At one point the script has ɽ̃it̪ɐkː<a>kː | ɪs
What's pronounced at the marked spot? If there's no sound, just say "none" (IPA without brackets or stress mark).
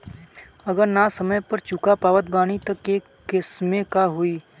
e